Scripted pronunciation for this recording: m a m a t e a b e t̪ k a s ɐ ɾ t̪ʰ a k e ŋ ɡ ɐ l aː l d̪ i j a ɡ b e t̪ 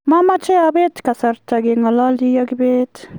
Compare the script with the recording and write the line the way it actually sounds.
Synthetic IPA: m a m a t͡ʃ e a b e t̪ k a s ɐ ɾ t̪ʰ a ɡ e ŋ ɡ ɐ l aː l d̪ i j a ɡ b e t̪